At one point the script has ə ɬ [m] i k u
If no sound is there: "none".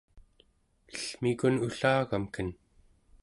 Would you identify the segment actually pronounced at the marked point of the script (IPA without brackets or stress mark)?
m